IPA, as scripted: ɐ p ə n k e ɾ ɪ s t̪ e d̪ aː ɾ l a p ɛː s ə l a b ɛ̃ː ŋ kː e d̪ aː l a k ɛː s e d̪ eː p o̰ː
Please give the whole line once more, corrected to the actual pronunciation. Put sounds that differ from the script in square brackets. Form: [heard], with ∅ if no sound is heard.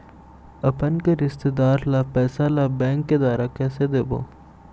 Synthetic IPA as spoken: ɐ p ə n k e ɾ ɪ s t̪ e d̪ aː ɾ l a p ɛː s [a] l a b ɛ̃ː ŋ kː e d̪ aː [ɾ] a k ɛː s e d̪ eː [b] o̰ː